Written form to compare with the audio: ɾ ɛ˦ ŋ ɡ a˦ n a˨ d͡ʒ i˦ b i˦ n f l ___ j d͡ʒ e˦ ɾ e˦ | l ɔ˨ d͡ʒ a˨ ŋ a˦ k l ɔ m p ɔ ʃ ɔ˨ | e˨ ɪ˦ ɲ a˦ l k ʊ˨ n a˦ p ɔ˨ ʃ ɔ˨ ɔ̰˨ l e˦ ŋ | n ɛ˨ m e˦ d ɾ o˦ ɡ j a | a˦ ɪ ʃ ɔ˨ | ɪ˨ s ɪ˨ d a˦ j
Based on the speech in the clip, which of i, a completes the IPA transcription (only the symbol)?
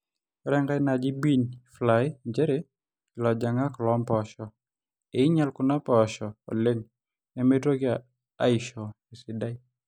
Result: a